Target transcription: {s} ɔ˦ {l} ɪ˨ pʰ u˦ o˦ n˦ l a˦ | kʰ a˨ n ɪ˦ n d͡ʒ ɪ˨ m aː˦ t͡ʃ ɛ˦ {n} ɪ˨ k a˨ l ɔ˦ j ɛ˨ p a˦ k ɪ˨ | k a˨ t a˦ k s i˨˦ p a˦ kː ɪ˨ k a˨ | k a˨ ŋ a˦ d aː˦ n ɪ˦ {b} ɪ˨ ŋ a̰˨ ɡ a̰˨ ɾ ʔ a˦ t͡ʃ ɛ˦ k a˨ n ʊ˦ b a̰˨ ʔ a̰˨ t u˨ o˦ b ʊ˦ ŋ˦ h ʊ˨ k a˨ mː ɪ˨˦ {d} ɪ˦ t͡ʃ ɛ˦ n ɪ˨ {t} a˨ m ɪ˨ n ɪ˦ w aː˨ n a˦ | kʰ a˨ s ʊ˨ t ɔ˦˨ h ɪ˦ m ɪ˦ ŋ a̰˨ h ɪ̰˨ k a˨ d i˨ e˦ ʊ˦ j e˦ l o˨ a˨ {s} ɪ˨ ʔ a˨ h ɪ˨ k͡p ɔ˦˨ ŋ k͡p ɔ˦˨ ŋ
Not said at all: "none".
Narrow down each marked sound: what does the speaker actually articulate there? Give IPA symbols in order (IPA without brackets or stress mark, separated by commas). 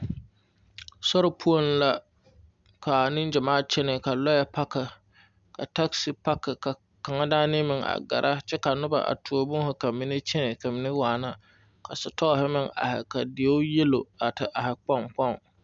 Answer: s, ɾ, n, m, n, k, t